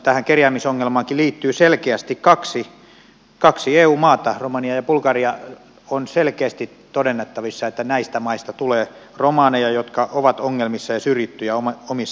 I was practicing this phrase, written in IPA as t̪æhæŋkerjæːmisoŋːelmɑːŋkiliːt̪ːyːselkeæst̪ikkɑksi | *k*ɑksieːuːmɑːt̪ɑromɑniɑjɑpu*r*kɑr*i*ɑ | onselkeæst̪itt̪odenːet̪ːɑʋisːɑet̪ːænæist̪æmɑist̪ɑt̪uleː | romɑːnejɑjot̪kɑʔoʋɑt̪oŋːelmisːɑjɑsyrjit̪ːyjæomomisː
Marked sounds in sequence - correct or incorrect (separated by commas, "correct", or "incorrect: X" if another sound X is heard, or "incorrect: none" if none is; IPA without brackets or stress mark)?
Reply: correct, incorrect: l, correct